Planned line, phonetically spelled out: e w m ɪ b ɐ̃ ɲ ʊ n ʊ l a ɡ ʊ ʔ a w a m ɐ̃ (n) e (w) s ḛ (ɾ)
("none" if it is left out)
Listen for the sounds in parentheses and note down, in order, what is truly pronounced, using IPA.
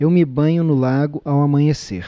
ɲ, none, ɾ

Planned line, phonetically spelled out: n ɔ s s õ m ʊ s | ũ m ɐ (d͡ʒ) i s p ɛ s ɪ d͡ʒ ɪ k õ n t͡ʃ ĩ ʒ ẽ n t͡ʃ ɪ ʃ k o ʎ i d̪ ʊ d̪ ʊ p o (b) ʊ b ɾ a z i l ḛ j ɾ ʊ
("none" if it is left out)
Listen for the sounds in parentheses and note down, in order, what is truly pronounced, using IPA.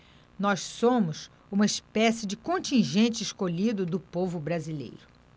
none, v

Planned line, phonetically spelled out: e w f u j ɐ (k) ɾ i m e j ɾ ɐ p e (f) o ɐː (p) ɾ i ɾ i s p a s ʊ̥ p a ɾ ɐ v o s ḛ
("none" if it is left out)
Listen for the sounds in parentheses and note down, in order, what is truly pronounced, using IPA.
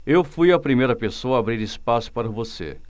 p, s, b

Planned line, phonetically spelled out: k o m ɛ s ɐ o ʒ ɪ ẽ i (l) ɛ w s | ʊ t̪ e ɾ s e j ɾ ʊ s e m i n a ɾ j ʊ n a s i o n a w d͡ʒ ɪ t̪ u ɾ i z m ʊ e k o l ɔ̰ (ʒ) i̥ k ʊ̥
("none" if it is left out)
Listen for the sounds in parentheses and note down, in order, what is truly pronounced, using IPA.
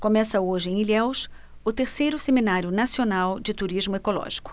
l, ʒ

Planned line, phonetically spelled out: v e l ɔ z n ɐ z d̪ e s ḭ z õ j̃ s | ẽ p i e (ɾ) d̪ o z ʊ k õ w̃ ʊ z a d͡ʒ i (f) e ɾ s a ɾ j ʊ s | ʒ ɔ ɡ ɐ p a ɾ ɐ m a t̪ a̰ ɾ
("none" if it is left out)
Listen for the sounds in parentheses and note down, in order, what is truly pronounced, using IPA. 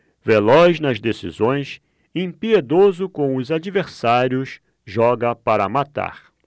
none, v

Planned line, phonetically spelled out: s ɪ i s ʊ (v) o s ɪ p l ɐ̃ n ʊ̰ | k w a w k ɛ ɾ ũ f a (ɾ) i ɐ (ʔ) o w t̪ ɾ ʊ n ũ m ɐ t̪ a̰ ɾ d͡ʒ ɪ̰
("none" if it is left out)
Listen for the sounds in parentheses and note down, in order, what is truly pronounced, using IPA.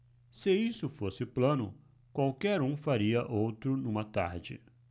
f, ɾ, ʔ

